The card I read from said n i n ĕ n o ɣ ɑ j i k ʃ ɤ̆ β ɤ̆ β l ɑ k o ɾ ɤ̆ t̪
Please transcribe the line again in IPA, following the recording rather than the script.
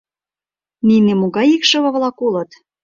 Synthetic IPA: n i n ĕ m o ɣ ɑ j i k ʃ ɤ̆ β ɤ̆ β l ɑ k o l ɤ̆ t̪